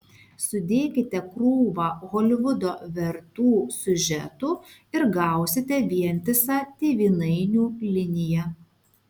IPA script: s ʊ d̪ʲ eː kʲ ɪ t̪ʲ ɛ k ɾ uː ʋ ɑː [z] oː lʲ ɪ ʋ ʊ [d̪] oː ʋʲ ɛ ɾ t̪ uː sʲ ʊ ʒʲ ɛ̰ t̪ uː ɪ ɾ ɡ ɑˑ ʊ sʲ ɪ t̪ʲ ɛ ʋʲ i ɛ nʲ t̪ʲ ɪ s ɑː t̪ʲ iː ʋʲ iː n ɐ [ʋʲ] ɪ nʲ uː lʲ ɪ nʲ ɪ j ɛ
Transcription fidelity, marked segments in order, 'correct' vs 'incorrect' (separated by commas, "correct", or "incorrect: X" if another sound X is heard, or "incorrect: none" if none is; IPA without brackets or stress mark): incorrect: ɣ, correct, incorrect: none